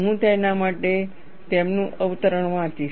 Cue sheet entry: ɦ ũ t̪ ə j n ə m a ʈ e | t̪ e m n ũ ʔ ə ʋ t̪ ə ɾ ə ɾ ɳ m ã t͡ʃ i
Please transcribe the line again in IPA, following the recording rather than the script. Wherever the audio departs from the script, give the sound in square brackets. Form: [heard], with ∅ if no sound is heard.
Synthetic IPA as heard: ɦ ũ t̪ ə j n [a] m a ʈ e | t̪ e m n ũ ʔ ə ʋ t̪ ə ɾ ə [∅] ɳ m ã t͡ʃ i